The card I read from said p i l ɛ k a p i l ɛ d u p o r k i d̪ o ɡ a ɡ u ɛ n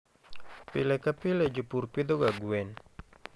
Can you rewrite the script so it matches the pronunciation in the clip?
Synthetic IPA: p i l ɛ k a p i l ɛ d͡ʒ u p u r p i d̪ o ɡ a ɡ u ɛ n

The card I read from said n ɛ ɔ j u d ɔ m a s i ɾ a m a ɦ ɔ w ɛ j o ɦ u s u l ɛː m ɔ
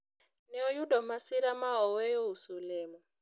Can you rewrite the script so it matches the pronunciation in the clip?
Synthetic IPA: n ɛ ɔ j u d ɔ m a s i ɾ a m a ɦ ɔ w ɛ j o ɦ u s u l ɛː m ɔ

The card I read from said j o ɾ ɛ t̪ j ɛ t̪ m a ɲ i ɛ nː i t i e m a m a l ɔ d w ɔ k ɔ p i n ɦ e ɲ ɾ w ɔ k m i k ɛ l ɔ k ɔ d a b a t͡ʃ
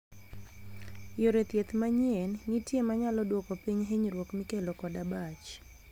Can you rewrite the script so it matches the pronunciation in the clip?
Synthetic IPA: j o ɾ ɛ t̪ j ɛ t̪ m a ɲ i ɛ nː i t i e m a ɲ a l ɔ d w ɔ k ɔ p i ɲ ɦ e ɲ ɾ w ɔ k m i k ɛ l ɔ k ɔ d a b a t͡ʃ

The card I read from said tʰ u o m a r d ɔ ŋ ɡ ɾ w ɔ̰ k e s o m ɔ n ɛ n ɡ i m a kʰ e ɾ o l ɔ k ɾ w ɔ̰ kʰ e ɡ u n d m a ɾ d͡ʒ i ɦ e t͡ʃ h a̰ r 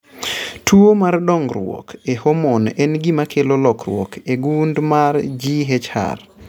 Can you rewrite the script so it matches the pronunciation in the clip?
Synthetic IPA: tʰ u o m a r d ɔ ŋ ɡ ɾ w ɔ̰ k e h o m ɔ n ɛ n ɡ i m a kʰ e l o l ɔ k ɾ w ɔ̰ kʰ e ɡ u n d m a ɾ d͡ʒ i ɦ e t͡ʃ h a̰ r

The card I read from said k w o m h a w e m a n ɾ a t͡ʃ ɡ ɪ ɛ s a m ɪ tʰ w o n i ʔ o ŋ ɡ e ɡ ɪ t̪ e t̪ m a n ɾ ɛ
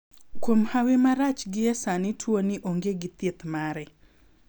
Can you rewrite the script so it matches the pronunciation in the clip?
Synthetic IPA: k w o m h a w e m a ɾ a t͡ʃ ɡ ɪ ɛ s a n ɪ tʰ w o n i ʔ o ŋ ɡ e ɡ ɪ t̪ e t̪ m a ɾ ɛ

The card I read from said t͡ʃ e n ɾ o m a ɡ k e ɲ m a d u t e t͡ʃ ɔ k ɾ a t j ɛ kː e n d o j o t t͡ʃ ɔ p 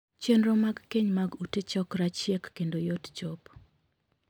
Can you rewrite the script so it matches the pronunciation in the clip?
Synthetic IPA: t͡ʃ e n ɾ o m a ɡ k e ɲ m a ɡ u t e t͡ʃ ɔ k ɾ a t͡ʃ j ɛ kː e n d o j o t t͡ʃ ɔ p

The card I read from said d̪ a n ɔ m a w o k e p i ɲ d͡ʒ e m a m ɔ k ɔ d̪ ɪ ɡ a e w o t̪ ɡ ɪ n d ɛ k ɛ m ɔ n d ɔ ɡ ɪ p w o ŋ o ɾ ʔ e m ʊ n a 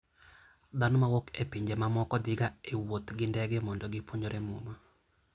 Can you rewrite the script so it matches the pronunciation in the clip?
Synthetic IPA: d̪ a n ɔ m a w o k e p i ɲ d͡ʒ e m a m ɔ k ɔ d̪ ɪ ɡ a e w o t̪ ɡ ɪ n d ɛ ɡ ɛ m ɔ n d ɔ ɡ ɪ p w o ɲ o ɾ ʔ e m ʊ m a

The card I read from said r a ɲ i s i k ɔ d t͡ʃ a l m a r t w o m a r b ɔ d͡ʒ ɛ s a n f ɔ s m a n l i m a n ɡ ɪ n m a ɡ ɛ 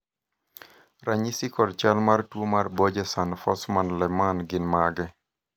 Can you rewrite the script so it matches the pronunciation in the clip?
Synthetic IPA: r a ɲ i s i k ɔ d t͡ʃ a l m a r t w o m a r b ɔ d͡ʒ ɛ s a n f ɔ s m a n l ɛ m a n ɡ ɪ n m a ɡ ɛ

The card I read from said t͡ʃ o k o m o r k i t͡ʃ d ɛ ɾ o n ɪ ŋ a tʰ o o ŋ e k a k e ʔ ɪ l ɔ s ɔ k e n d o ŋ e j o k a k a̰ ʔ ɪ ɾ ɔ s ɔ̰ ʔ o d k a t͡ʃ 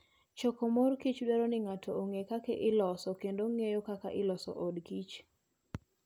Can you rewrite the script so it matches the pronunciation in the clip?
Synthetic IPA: t͡ʃ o k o m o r k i t͡ʃ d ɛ ɾ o n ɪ ŋ a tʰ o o ŋ e k a k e ʔ ɪ l ɔ s ɔ k e n d o ŋ e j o k a k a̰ ʔ ɪ l ɔ s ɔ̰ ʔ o d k i t͡ʃ

